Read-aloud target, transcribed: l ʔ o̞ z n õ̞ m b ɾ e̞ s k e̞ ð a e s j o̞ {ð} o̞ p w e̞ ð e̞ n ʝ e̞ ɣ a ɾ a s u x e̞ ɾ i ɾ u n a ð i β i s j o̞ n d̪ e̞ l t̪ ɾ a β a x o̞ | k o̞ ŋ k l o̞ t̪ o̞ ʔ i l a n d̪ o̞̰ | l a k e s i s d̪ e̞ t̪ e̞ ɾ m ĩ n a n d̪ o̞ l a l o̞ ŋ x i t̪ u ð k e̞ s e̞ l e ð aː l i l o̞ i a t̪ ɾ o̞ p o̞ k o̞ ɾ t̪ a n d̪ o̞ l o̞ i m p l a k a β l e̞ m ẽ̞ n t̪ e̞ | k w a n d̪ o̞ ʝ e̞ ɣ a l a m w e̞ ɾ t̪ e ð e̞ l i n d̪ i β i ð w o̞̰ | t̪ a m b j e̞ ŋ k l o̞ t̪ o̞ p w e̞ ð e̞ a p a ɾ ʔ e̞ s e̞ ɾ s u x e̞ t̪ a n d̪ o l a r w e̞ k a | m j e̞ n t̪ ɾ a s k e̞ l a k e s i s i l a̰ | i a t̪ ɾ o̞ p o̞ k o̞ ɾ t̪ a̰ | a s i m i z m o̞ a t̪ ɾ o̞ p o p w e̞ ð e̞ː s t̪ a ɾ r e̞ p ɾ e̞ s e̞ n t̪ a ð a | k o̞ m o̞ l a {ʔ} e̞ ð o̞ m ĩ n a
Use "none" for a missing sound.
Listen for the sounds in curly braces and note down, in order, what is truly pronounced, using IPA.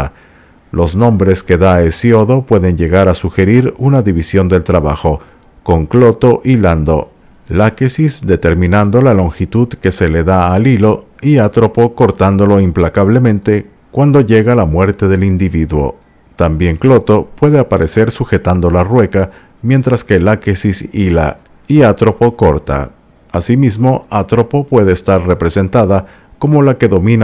ð, k

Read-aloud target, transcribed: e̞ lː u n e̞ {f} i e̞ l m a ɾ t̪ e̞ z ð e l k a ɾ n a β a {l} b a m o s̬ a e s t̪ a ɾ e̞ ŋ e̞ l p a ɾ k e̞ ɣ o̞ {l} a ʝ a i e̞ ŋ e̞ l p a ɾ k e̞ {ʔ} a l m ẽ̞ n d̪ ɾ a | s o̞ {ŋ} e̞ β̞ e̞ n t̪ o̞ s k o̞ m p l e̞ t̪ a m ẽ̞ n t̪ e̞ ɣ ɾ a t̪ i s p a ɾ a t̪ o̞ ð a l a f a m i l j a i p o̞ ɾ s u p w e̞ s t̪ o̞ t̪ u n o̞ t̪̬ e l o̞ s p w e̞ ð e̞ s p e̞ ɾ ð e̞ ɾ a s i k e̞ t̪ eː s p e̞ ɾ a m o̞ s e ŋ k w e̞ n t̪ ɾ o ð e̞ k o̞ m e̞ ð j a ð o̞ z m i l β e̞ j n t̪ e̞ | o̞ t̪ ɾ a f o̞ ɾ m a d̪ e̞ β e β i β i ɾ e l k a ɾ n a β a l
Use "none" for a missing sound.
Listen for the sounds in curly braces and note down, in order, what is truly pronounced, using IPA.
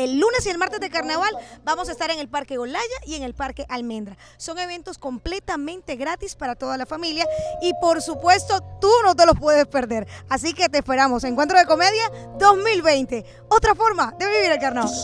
s, l, l, ʔ, ŋ

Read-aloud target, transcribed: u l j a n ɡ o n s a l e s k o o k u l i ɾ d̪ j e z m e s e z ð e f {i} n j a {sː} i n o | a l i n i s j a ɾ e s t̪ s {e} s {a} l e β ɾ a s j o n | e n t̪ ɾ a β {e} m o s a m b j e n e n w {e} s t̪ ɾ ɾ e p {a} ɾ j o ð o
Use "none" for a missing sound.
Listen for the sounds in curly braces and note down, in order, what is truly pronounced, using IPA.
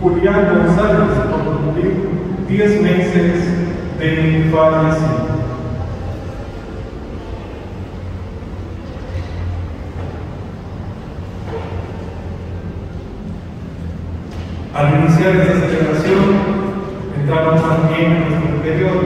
a, s, a, e, a, e, e

